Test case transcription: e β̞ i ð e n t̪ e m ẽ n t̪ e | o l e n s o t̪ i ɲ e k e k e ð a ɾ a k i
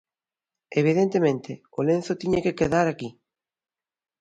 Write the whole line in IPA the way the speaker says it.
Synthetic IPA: e β̞ i ð e n t̪ e m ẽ n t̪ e | o l e n θ o t̪ i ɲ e k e k e ð a ɾ a k i